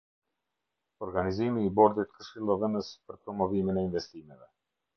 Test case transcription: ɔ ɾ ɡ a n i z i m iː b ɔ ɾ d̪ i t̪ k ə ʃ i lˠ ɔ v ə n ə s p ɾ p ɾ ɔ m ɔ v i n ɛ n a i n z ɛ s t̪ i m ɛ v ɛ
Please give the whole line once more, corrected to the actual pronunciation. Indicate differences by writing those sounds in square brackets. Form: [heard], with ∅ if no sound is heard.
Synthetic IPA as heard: ɔ ɾ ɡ a n i z i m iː b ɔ ɾ d̪ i t̪ k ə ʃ i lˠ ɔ v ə n ə s p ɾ p ɾ ɔ m ɔ v i [m] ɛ n a i n [v] ɛ s t̪ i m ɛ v ɛ